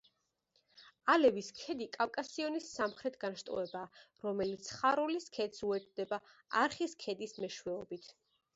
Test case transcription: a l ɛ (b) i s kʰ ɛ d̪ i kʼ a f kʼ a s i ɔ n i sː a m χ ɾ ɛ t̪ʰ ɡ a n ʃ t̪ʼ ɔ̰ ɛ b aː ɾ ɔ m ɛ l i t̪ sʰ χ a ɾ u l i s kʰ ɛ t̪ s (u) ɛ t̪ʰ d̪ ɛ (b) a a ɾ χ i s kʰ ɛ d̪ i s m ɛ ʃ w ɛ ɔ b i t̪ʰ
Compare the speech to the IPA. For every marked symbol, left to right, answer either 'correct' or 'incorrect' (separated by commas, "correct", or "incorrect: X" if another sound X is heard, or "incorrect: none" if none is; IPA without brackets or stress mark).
incorrect: v, correct, correct